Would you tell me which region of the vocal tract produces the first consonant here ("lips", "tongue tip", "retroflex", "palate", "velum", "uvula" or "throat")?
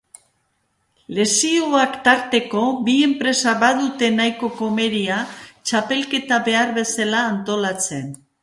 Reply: tongue tip